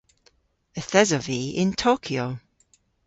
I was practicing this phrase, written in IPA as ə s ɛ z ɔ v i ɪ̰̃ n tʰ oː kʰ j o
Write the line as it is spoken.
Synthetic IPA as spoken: ə θ ɛ z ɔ v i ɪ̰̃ n tʰ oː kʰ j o